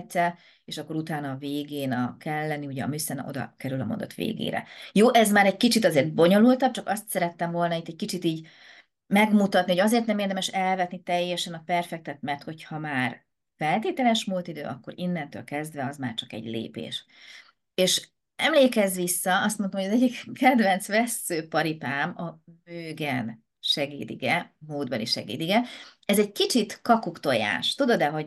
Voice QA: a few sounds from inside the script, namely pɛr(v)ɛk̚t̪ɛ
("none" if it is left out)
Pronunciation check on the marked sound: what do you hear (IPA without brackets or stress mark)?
f